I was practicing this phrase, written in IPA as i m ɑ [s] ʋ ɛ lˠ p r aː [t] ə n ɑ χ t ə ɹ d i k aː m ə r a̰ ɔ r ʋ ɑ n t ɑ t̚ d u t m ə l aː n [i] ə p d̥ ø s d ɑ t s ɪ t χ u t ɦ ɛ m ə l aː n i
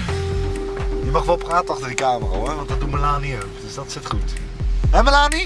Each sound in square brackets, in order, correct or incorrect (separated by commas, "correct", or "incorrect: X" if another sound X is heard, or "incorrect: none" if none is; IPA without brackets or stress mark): incorrect: χ, correct, correct